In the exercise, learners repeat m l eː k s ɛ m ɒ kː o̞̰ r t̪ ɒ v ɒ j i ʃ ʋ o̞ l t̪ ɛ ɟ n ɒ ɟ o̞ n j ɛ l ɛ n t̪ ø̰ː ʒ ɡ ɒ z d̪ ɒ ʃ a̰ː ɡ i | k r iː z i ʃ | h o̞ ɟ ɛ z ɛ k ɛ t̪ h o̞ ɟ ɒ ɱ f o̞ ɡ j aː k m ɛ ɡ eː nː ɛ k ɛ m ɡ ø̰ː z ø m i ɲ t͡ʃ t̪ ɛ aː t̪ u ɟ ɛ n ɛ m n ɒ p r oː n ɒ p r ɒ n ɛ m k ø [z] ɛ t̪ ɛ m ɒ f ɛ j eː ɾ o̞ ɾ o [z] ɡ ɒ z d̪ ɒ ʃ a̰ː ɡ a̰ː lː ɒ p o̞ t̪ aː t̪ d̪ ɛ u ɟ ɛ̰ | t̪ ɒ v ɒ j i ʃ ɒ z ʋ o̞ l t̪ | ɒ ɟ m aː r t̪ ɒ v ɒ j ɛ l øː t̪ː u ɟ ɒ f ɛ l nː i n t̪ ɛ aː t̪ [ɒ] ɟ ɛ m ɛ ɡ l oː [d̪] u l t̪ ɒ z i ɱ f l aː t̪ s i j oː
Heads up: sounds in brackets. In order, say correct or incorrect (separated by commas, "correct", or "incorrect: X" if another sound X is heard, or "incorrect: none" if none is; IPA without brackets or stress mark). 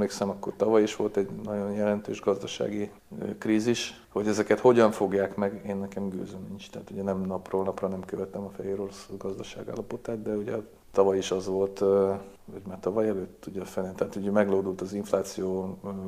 incorrect: v, incorrect: s, incorrect: u, correct